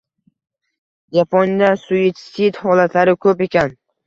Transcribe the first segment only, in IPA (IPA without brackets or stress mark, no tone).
d͡ʒ